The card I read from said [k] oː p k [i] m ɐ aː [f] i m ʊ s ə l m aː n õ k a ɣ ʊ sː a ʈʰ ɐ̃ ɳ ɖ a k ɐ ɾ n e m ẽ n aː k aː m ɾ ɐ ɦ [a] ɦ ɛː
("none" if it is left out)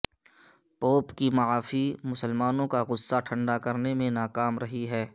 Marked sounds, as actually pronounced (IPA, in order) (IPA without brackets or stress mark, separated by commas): p, i, f, i